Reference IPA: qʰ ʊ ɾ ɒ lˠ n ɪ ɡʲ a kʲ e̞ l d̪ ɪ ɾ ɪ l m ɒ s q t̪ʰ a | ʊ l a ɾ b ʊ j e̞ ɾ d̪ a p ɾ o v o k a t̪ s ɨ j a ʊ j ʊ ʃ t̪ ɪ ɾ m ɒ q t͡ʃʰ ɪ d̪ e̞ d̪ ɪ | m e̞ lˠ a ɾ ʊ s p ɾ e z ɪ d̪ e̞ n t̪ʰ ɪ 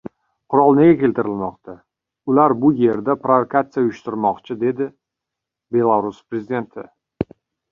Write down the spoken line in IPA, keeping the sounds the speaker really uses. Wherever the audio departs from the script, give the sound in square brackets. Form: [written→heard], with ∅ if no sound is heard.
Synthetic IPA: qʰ ʊ ɾ ɒ lˠ n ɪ ɡʲ a kʲ e̞ l [d̪→t̪] ɪ ɾ ɪ l m ɒ [s→∅] q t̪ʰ a | ʊ l a ɾ b ʊ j e̞ ɾ d̪ a p ɾ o v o k a t̪ s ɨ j a ʊ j ʊ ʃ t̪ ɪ ɾ m ɒ q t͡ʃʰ ɪ d̪ e̞ d̪ ɪ | [m→b] e̞ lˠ a ɾ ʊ s p ɾ e z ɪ d̪ e̞ n t̪ʰ ɪ